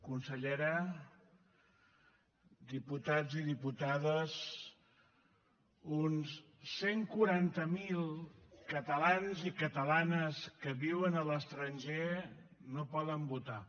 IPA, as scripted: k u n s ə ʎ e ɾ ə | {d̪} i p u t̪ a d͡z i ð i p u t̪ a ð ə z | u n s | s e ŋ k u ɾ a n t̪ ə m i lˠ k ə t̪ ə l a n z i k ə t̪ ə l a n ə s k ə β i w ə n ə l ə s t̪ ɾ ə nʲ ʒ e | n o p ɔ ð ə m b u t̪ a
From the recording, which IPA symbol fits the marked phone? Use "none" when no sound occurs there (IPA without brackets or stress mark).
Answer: d̪